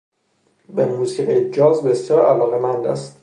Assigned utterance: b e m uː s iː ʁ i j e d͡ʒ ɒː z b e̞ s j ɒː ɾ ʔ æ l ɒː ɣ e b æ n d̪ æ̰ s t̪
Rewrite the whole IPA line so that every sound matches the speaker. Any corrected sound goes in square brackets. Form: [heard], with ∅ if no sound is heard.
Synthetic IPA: b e m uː s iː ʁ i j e d͡ʒ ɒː z b e̞ s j ɒː ɾ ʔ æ l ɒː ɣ e [m] æ n d̪ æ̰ s t̪